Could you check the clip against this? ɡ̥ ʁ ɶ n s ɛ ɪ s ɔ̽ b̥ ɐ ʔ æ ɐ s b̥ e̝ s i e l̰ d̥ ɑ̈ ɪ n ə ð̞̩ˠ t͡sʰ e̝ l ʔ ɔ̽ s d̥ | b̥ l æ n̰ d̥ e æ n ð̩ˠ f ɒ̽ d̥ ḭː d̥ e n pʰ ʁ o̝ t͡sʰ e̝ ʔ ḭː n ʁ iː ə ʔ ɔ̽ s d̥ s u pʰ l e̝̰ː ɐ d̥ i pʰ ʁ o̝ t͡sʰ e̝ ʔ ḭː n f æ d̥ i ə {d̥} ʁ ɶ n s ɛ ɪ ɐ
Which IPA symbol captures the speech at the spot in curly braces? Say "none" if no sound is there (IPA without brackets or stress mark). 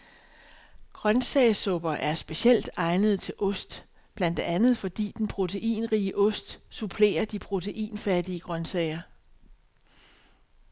ɡ̥